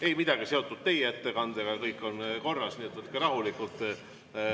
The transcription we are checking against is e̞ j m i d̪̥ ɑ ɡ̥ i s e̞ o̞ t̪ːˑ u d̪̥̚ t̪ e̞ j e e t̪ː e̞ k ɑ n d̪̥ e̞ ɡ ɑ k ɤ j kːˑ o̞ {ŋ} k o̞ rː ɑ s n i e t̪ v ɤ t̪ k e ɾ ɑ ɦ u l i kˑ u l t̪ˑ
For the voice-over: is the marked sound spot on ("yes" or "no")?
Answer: no